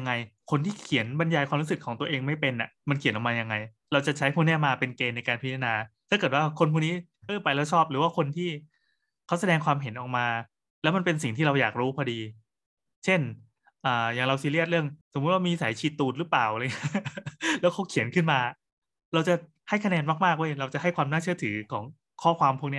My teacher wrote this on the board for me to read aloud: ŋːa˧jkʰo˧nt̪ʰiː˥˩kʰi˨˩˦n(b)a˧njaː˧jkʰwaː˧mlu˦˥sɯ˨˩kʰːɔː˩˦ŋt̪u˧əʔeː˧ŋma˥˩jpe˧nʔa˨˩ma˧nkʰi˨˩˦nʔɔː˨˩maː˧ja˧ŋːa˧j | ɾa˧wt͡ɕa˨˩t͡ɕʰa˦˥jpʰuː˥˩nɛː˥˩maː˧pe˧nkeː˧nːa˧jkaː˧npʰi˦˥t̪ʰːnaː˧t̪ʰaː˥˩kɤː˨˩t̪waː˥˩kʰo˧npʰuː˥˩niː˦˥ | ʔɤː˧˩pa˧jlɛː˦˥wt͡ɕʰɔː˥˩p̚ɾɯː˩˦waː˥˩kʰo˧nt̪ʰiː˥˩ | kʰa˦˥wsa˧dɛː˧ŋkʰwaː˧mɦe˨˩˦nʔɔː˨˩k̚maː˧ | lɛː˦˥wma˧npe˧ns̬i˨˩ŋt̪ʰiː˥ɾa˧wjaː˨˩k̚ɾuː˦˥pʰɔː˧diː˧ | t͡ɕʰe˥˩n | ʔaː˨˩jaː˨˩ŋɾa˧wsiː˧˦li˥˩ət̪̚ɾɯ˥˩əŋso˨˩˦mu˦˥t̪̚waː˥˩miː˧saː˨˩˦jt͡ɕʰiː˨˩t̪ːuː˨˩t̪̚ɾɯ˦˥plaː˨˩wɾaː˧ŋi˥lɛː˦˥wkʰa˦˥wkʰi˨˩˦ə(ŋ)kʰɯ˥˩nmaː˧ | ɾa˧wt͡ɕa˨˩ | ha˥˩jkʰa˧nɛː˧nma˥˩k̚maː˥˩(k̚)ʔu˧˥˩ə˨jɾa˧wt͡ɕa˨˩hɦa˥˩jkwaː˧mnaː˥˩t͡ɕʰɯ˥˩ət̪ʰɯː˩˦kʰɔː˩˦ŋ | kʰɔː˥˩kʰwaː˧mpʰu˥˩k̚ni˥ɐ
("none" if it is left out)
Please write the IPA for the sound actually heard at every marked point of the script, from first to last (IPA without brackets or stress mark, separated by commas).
b, n, k̚